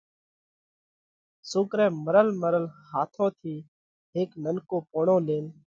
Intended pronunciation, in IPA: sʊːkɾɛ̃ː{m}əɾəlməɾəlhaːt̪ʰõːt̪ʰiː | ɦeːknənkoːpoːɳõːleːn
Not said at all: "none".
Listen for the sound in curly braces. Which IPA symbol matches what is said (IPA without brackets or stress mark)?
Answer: m